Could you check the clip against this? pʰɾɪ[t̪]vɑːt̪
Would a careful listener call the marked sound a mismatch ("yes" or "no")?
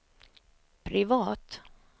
yes